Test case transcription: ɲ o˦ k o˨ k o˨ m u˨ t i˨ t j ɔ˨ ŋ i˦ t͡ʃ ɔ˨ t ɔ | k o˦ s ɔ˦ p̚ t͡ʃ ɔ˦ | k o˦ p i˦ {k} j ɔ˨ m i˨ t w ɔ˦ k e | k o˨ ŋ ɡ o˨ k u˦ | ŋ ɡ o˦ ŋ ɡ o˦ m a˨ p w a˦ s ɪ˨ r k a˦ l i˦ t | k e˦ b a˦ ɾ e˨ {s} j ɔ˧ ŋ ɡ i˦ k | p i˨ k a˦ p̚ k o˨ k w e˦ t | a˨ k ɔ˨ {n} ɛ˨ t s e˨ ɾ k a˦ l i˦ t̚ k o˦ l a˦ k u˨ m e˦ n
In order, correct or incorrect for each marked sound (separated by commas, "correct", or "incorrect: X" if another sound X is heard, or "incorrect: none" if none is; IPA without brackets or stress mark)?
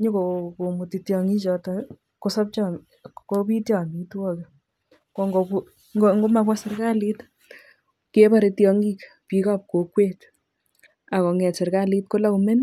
incorrect: t, incorrect: t, incorrect: ŋ